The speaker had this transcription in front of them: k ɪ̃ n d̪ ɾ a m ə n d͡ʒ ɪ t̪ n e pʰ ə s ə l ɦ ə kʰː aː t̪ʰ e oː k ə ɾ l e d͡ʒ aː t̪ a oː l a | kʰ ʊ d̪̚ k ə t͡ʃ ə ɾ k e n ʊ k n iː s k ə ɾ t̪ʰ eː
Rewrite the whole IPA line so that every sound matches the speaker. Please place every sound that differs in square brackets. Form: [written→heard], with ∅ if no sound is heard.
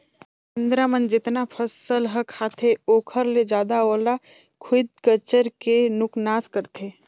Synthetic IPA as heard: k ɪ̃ n d̪ ɾ a m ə n d͡ʒ ɪ t̪ n [e→a] pʰ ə s ə l ɦ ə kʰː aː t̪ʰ e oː [k→kʰ] ə ɾ l e d͡ʒ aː [t̪→d̪] a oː l a | kʰ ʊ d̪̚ k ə t͡ʃ ə ɾ k e n ʊ k n [iː→aː] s k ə ɾ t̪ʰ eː

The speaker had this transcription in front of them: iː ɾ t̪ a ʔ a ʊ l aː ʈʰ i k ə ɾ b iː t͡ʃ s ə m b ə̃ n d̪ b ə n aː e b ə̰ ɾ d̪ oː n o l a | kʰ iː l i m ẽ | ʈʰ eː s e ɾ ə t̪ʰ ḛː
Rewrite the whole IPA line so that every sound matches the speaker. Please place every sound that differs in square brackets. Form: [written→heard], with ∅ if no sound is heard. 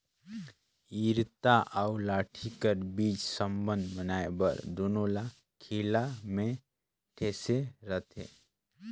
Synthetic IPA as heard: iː ɾ t̪ a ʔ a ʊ l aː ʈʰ i k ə ɾ b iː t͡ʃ s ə m b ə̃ n d̪ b ə n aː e b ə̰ ɾ d̪ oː n o l a | kʰ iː l [i→a] m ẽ | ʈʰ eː s e ɾ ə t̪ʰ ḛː

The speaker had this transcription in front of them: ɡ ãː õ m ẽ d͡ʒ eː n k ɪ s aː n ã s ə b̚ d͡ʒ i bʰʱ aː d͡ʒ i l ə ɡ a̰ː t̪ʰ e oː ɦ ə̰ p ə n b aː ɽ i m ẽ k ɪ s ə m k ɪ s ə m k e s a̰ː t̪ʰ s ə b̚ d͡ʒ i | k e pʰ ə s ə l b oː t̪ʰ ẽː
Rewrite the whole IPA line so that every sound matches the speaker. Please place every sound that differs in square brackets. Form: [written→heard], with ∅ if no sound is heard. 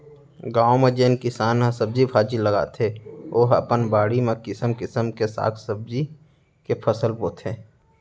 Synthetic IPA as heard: ɡ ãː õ m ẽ d͡ʒ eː n k ɪ s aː n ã s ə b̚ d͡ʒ i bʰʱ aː d͡ʒ i l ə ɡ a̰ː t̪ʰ e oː ɦ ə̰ p ə n b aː ɽ i m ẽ k ɪ s ə m k ɪ s ə m k e s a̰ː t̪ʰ s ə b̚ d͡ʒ i | k e pʰ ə s ə l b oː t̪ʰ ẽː

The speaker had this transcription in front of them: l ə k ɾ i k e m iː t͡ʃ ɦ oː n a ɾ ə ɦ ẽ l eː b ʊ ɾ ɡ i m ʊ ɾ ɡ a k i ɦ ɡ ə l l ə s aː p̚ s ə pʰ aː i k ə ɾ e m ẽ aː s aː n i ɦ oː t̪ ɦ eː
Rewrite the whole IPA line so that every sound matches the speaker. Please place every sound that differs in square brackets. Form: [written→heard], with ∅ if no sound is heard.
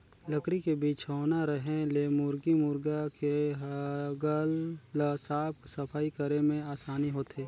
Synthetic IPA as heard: l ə k ɾ i k e [m→b] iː t͡ʃ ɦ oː n a ɾ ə ɦ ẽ l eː [b→m] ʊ ɾ ɡ i m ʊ ɾ ɡ a k [i→e] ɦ ɡ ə l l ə s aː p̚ s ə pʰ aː i k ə ɾ e m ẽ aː s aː n i ɦ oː t̪ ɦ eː

